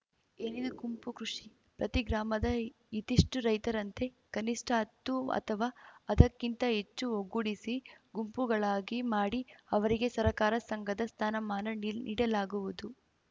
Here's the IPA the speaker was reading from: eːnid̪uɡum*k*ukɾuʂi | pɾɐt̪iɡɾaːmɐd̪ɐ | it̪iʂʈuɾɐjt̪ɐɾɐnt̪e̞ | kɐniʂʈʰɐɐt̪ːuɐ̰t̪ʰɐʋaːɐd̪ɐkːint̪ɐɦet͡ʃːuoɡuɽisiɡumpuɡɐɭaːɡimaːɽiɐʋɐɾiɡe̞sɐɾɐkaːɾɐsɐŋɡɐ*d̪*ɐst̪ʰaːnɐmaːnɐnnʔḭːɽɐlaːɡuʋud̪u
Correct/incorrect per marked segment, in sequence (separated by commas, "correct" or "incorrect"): incorrect, correct